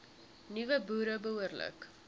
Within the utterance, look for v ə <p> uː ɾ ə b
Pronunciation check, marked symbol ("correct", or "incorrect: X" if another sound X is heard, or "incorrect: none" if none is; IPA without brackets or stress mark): incorrect: b